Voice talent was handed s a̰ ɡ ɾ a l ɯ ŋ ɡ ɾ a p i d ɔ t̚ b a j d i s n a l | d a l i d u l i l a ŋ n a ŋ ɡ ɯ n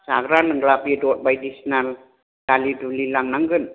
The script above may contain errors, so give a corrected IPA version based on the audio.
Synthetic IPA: s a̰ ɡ ɾ a l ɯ ŋ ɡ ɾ a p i d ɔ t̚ b a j d i s n a l | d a l i d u l i l a ŋ n a ŋ ɡ ɯ n